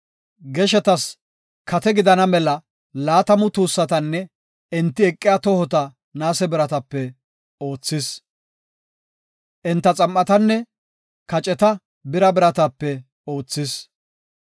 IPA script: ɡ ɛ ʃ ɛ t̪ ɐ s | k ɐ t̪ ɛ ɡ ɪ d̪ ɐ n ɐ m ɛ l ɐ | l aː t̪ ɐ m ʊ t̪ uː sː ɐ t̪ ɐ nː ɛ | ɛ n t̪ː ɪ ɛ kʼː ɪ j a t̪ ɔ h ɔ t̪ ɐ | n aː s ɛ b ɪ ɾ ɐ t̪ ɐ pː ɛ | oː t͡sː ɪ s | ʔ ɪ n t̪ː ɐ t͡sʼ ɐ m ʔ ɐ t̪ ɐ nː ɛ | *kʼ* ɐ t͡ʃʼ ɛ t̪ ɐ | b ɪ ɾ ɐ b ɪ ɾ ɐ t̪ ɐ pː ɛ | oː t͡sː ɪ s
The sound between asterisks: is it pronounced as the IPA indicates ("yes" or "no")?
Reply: no